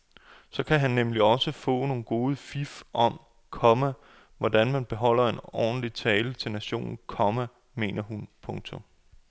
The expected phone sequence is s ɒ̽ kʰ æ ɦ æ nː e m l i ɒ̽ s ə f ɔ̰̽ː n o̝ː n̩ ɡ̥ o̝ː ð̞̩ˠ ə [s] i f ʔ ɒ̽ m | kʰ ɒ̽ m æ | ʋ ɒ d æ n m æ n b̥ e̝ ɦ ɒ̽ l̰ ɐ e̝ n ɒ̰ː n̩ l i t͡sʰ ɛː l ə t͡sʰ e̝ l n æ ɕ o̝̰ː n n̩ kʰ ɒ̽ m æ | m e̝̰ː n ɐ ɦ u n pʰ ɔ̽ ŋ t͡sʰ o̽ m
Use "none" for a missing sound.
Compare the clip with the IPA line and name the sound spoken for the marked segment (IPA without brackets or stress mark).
f